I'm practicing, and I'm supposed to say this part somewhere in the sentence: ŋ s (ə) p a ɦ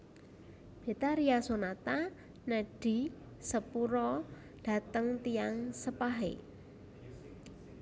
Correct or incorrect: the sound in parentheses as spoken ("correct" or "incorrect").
correct